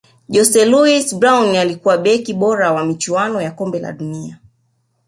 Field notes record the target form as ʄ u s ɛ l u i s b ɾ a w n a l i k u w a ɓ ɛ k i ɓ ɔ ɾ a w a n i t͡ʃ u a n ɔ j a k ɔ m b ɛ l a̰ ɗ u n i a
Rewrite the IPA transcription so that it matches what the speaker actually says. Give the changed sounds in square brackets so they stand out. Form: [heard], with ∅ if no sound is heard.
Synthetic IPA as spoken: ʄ [ɔ] s ɛ l u i s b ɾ a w n a l i k u w a ɓ ɛ k i ɓ ɔ ɾ a w a [m] i t͡ʃ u a n ɔ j a k ɔ m b ɛ l a̰ ɗ u n i a